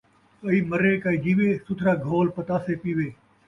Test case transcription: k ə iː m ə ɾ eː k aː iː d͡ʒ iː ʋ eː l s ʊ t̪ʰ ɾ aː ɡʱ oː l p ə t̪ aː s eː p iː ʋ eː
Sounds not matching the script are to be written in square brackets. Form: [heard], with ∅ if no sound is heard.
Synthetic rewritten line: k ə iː m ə ɾ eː k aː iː d͡ʒ iː ʋ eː [∅] s ʊ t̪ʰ ɾ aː ɡʱ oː l p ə t̪ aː s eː p iː ʋ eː

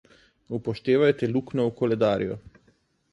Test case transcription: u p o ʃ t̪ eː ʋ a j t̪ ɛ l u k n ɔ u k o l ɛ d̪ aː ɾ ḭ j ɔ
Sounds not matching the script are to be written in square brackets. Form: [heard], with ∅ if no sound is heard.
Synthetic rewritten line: u p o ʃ t̪ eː ʋ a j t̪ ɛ l u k n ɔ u k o l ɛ d̪ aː ɾ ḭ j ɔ

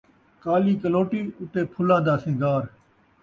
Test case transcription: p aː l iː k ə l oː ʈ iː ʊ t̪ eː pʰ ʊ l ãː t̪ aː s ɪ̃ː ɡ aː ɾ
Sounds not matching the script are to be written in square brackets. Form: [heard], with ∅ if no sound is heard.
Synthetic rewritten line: [k] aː l iː k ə l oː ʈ iː ʊ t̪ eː pʰ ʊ l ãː [d̪] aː s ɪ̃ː ɡ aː ɾ

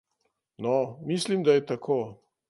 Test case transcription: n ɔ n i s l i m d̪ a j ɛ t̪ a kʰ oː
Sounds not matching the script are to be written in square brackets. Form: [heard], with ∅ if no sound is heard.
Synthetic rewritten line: n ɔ [m] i s l i m d̪ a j ɛ t̪ a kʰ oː

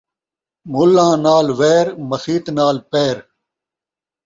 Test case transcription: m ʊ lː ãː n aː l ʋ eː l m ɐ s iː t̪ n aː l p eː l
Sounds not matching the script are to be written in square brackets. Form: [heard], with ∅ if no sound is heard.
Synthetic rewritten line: m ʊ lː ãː n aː l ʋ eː [ɾ] m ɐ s iː t̪ n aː l p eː [ɾ]

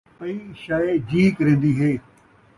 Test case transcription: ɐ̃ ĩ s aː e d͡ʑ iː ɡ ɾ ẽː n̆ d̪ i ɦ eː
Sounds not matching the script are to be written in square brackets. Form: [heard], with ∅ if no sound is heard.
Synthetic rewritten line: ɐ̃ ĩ [ʃ] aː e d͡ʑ iː [k] ɾ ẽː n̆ d̪ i ɦ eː

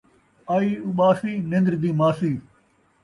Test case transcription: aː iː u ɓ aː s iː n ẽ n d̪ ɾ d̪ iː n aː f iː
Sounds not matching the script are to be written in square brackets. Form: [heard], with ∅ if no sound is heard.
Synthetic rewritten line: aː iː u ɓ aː s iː n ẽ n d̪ ɾ d̪ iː [m] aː [s] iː

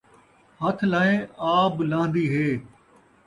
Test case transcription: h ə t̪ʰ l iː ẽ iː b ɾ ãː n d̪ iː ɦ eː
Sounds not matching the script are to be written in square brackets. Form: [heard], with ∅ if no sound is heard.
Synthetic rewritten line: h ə t̪ʰ l [aː] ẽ [aː] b [l] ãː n d̪ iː ɦ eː

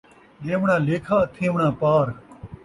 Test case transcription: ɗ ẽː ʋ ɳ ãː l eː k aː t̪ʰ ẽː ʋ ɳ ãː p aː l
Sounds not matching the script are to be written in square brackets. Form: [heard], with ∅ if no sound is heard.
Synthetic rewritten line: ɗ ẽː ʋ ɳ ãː l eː [kʰ] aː t̪ʰ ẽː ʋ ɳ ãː p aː [ɾ]

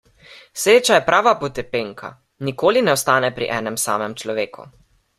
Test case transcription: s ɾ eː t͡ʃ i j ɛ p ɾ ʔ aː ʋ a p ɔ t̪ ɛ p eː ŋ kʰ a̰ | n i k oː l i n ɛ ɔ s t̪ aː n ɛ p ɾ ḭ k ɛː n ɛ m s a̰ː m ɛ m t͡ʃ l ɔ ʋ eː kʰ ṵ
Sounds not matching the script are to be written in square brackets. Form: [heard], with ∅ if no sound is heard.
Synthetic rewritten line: s ɾ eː t͡ʃ [a] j ɛ p ɾ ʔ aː ʋ a p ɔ t̪ ɛ p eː ŋ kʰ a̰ | n i k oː l i n ɛ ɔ s t̪ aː n ɛ p ɾ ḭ [ʔ] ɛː n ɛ m s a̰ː m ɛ m t͡ʃ l ɔ ʋ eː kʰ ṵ

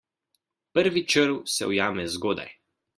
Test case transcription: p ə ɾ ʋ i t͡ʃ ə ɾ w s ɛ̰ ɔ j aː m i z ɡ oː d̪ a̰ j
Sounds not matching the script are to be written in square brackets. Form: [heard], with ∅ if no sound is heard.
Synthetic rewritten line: p ə ɾ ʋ i t͡ʃ ə ɾ w s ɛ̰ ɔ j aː m [ɛ] z ɡ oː d̪ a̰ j

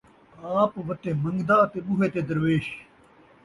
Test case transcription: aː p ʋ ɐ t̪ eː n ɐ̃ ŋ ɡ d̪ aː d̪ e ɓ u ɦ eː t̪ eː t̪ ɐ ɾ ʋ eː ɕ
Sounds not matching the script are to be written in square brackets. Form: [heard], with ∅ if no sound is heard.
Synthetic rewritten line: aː p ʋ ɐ t̪ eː [m] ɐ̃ ŋ ɡ d̪ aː [t̪] e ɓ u ɦ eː t̪ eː [d̪] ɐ ɾ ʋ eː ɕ

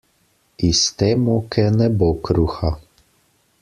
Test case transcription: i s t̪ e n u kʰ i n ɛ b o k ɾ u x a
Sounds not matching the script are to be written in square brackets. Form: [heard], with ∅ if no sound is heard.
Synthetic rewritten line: i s t̪ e [m] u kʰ [ɛ] n ɛ b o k ɾ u x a

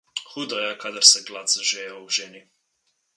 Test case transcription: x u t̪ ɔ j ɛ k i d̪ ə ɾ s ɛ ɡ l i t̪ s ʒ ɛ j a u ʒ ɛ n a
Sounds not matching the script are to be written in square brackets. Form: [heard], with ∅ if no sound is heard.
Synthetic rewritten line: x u [d̪] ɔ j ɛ k [a] d̪ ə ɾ s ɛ ɡ l [a] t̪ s ʒ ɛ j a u ʒ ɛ n [i]

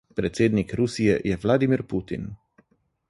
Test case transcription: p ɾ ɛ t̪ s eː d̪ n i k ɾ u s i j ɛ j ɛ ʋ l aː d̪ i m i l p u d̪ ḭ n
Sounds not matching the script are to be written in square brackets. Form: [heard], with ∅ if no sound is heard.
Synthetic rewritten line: p ɾ ɛ t̪ s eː d̪ n i k ɾ u s i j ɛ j ɛ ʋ l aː d̪ i m i [ɾ] p u [t̪] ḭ n

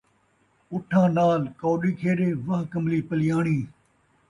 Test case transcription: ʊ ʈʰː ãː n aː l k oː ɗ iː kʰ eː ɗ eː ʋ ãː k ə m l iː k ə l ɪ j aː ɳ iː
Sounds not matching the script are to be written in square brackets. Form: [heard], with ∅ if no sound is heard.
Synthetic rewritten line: ʊ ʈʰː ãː n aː l k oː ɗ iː kʰ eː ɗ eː ʋ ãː k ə m l iː [p] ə l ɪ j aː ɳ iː

